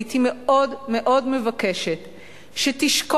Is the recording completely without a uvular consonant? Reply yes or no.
yes